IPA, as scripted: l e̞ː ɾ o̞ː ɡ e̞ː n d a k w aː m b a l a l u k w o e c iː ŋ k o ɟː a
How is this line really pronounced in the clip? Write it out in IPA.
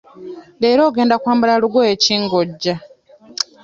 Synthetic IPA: l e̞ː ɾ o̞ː ɡ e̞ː n d a k w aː m b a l a l u ɡ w o e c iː ŋ ɡ o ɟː a